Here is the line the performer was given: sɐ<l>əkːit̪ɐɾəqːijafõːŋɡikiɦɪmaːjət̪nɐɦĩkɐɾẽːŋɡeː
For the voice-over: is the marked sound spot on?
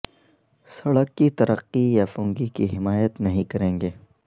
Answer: no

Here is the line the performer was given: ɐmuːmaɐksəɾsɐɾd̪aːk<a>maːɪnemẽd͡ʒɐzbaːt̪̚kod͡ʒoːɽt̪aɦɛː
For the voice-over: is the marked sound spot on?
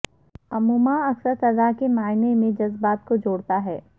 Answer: no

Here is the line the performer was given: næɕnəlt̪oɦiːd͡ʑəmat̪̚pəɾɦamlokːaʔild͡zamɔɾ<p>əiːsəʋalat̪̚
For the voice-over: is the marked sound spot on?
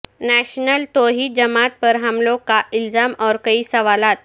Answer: no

